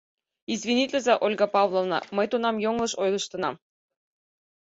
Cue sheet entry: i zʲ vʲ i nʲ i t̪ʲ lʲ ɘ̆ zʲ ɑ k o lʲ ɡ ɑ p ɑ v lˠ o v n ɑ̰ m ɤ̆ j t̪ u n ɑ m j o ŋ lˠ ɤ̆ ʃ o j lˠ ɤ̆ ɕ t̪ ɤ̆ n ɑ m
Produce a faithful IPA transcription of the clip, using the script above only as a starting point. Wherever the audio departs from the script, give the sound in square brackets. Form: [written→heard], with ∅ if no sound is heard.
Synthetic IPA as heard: i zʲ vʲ i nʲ i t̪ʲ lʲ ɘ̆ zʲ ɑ [k→ʔ] o lʲ ɡ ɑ p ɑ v lˠ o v n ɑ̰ m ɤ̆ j t̪ u n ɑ m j o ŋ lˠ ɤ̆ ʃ o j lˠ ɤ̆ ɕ t̪ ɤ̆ n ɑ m